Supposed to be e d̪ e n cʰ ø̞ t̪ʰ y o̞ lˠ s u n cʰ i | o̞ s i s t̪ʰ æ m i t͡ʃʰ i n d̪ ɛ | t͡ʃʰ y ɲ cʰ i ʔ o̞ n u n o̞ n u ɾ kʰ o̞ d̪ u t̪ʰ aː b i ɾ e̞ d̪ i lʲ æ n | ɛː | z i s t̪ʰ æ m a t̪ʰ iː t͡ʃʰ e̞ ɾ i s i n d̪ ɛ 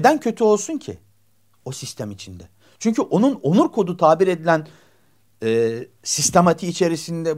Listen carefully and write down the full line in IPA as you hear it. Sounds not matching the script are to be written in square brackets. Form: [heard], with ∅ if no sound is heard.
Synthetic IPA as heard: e d̪ [æ] n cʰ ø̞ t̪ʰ y o̞ lˠ s u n cʰ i | o̞ s i s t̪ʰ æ m i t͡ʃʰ i n d̪ ɛ | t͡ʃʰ y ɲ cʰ [y] ʔ o̞ n u n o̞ n u ɾ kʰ o̞ d̪ u t̪ʰ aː b i ɾ e̞ d̪ i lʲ æ n | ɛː | [s] i s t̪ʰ [e] m a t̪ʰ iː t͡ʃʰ e̞ ɾ i s i n d̪ ɛ